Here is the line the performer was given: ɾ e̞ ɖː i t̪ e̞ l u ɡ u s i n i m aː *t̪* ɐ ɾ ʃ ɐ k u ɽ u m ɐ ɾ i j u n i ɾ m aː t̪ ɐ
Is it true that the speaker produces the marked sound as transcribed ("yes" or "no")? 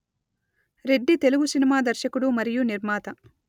no